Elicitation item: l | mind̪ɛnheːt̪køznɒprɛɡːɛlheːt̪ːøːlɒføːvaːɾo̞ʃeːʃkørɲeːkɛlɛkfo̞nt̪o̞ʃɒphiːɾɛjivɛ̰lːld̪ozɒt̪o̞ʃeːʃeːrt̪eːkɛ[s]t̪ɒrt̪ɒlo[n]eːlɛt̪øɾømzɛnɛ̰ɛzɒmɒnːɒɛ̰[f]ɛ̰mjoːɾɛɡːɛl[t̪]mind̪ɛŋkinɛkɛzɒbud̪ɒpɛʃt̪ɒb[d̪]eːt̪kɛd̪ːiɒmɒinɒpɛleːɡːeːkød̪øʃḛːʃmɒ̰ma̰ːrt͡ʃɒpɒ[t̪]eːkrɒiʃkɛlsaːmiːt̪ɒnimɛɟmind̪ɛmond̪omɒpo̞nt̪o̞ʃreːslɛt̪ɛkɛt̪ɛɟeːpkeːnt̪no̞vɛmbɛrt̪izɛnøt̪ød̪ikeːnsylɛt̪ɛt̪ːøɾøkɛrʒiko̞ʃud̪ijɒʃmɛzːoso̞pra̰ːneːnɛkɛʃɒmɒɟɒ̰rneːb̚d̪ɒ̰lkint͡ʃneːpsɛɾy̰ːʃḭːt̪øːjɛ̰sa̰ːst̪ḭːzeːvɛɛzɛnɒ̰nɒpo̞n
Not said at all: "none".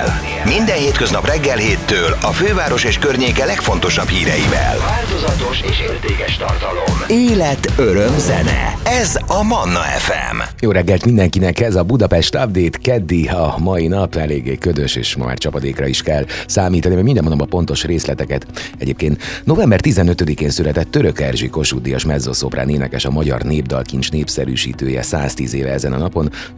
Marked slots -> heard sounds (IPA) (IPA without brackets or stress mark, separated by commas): ʃ, m, f, t̪, d̪, d̪